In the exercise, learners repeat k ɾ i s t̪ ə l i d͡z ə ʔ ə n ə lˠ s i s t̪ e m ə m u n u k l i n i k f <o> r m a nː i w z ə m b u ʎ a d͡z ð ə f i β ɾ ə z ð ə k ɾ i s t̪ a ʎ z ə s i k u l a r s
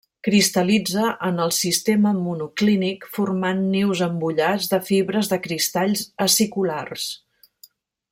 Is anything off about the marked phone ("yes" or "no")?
yes